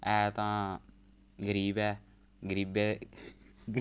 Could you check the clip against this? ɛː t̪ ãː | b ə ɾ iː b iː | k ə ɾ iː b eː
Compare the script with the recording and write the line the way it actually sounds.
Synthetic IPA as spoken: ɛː t̪ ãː | ɡ ə ɾ iː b ɛː | ɡ ə ɾ iː b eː